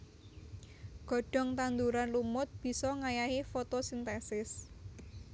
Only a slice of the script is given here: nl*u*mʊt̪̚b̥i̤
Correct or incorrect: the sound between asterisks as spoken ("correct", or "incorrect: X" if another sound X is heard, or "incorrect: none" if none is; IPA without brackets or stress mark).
correct